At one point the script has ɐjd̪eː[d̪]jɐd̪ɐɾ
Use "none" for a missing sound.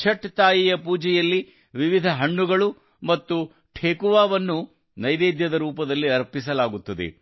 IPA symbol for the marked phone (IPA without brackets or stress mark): d̪